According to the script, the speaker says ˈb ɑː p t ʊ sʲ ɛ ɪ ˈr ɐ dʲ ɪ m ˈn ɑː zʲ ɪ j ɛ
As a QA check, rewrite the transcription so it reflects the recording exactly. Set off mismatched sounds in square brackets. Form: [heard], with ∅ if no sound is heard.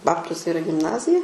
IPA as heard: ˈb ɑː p t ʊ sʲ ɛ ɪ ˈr ɐ [ɡʲ] ɪ m ˈn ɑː zʲ ɪ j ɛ